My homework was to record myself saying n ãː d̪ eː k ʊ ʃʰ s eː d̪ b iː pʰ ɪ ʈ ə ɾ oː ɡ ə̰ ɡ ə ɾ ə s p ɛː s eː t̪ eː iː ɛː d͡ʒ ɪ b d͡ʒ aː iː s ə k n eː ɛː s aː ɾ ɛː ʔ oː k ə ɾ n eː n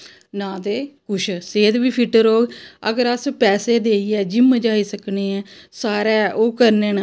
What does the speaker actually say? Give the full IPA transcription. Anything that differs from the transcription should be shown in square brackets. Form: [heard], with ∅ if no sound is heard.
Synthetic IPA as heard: n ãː d̪ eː k ʊ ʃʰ s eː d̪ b iː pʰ ɪ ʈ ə ɾ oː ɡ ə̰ ɡ ə ɾ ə s p ɛː s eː [d̪] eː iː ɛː d͡ʒ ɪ [m] d͡ʒ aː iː s ə k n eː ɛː s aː ɾ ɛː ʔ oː k ə ɾ n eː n

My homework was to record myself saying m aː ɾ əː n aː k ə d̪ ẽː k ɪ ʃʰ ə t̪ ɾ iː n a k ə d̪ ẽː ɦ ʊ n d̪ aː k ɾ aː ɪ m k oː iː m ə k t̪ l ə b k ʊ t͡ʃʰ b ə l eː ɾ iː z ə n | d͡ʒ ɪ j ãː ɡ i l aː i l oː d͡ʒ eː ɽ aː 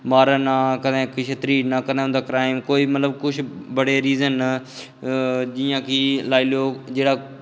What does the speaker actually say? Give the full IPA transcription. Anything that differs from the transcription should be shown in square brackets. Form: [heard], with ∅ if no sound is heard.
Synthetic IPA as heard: m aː ɾ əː n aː k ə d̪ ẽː k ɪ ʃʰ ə t̪ ɾ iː n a k ə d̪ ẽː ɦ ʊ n d̪ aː k ɾ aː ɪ m k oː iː m ə [∅] t̪ l ə b k ʊ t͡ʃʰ b ə [ɽ] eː ɾ iː z ə n | d͡ʒ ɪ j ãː [k] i l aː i l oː d͡ʒ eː ɽ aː

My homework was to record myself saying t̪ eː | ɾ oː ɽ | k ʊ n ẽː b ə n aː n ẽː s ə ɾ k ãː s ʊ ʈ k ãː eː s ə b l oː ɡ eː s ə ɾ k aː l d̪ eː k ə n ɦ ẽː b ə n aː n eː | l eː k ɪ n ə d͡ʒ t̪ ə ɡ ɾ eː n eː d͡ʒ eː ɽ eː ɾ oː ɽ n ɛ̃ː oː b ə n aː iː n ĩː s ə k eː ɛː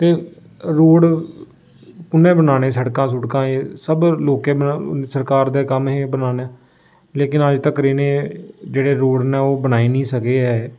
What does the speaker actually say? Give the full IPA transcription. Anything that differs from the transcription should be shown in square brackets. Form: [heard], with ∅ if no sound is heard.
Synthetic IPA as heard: t̪ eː | ɾ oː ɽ | k ʊ n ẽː b ə n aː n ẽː s ə [ɽ] k ãː s ʊ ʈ k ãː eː s ə b l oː [k] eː s ə ɾ k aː [ɾ] d̪ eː k ə [m] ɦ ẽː b ə n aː n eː | l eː k ɪ n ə d͡ʒ t̪ ə [k] ɾ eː n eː d͡ʒ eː ɽ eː ɾ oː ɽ n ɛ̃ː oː b ə n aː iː n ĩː s ə k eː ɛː

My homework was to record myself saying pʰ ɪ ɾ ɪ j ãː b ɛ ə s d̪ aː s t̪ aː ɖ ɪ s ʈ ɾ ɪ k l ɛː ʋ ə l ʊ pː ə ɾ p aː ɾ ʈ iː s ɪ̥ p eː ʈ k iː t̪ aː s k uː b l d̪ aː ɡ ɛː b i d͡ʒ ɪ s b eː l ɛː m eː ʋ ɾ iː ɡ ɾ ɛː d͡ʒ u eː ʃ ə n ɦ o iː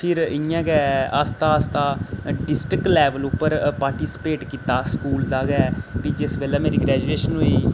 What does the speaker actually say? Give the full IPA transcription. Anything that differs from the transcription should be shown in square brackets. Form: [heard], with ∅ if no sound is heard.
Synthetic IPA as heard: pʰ ɪ ɾ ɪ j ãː [ɡ] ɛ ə s [t̪] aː s t̪ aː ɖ ɪ s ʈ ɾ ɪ k l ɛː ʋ ə l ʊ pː ə ɾ p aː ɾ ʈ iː s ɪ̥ p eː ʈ k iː t̪ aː s k uː [∅] l d̪ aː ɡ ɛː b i d͡ʒ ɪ s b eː l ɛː m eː [∅] ɾ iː ɡ ɾ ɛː d͡ʒ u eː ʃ ə n ɦ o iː

